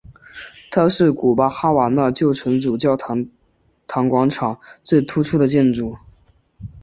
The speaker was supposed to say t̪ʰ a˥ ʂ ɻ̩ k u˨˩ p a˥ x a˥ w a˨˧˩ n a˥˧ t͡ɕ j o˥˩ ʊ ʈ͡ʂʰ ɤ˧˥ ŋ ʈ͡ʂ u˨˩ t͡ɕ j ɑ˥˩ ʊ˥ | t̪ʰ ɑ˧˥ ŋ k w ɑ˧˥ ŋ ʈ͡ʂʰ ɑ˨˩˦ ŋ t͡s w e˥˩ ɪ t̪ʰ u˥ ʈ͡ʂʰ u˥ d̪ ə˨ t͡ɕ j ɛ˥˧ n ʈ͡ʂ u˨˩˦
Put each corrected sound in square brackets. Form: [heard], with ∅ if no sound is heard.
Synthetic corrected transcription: t̪ʰ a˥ ʂ ɻ̩ k u˨˩ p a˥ x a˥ w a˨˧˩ n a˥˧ t͡ɕ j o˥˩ ʊ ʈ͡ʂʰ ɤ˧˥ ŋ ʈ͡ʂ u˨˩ t͡ɕ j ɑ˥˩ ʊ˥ | t̪ʰ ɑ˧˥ ŋ k w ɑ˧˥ ŋ ʈ͡ʂʰ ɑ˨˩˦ ŋ t͡s w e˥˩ ɪ t̪ʰ u˥ ʈ͡ʂʰ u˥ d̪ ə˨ t͡ɕ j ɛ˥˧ n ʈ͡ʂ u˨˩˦